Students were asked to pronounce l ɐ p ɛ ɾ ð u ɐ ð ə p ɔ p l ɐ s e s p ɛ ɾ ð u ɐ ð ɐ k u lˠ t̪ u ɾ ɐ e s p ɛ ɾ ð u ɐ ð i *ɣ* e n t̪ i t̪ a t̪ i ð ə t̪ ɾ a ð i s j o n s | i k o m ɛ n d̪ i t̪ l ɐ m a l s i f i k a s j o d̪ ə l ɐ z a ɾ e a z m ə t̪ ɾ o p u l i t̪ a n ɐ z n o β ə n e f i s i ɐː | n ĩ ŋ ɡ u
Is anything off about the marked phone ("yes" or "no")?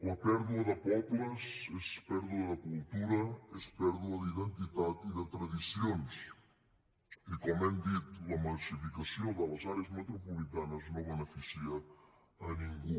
yes